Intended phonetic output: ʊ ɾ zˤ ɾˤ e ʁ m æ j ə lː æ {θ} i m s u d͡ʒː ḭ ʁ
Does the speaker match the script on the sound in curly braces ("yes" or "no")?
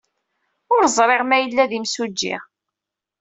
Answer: no